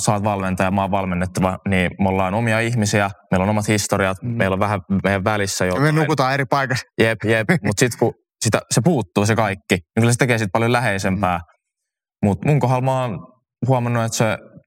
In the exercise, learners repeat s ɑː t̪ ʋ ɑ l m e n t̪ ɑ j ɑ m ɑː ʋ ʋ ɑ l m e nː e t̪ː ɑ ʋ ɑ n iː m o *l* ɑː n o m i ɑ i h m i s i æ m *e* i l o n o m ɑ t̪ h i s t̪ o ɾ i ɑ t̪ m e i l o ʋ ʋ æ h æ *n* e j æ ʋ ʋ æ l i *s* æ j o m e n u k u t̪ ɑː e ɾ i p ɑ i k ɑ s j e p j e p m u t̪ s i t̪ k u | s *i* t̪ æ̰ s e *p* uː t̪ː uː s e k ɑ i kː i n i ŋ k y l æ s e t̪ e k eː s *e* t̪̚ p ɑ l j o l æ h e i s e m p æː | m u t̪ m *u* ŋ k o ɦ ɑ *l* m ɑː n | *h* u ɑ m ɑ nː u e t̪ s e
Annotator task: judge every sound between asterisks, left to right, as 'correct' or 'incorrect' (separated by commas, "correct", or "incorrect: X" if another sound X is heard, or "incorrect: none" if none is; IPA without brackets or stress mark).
incorrect: lː, correct, incorrect: m, incorrect: sː, correct, correct, incorrect: i, correct, correct, correct